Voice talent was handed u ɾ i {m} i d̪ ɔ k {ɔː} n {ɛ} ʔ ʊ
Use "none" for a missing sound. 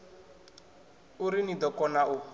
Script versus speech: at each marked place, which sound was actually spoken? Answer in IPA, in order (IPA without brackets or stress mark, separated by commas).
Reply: n, ɔ, a